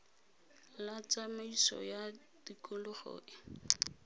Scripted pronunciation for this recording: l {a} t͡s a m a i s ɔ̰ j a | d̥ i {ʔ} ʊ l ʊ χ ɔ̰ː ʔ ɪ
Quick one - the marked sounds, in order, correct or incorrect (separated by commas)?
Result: correct, incorrect